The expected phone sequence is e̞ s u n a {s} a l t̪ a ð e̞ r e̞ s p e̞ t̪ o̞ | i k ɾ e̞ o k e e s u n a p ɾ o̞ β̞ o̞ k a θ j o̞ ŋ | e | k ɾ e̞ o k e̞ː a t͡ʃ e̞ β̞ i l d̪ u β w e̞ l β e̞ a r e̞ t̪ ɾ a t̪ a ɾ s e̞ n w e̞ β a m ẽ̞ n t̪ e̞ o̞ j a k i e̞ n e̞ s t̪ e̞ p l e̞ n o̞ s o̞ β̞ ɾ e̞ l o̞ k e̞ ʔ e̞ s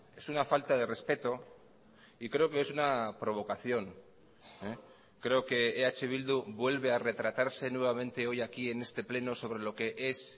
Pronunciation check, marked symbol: incorrect: f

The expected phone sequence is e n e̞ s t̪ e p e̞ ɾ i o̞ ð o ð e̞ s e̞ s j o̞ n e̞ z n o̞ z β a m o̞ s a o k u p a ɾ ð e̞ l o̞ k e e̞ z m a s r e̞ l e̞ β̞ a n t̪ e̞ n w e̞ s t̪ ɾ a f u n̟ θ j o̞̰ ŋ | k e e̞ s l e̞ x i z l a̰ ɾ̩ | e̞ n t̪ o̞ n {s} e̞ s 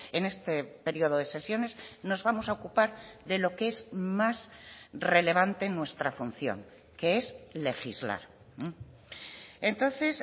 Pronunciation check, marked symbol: incorrect: θ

